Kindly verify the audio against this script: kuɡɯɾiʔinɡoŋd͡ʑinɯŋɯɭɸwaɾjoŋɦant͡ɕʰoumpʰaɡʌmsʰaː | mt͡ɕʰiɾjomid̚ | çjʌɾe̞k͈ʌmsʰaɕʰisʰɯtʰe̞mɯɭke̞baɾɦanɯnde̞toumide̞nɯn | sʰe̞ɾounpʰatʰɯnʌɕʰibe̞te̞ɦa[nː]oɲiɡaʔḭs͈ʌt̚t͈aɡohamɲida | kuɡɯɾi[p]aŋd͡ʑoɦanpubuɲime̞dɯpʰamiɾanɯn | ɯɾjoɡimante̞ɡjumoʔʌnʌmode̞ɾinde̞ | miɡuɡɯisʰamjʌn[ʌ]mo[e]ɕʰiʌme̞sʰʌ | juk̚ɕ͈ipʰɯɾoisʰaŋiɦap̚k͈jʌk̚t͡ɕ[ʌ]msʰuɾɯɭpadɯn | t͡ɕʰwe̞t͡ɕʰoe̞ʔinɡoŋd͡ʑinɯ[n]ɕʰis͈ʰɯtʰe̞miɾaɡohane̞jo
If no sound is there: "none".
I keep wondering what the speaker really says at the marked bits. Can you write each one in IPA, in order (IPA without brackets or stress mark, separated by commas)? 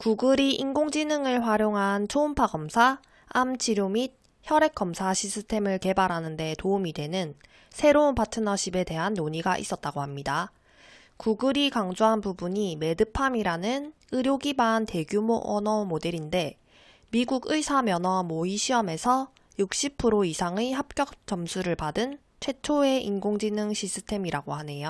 nː, k, ʌ, i, ʌ, ŋ